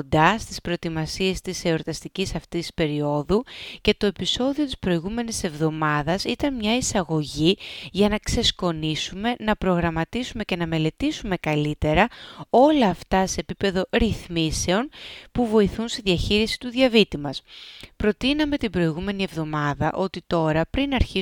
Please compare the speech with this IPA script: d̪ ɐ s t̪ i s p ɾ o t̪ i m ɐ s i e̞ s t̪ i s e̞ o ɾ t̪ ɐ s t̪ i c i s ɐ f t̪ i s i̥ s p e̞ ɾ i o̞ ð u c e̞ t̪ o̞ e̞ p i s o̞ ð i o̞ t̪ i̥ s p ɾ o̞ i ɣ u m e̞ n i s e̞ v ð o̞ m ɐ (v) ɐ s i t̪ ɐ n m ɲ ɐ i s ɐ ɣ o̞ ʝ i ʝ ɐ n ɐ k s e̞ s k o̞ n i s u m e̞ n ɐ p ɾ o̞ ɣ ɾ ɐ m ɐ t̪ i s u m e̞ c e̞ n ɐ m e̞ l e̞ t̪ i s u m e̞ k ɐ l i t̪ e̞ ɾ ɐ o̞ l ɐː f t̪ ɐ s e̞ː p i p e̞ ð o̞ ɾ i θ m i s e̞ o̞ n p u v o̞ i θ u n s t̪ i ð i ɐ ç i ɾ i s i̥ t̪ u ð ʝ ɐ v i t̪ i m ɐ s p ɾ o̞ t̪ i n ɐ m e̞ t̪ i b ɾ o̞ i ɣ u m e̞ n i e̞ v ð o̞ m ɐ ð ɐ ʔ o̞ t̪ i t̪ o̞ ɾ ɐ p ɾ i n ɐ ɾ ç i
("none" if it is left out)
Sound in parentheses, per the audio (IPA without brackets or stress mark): ð